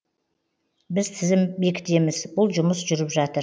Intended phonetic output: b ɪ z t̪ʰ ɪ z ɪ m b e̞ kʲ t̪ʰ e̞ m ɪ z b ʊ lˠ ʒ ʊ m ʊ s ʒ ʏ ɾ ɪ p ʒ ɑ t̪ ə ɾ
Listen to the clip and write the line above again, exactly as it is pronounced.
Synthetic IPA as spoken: b ɪ z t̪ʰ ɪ z ɪ m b e̞ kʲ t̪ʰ e̞ m ɪ z b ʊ lˠ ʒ ʊ m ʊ s ʒ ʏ ɾ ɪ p ʒ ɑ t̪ ə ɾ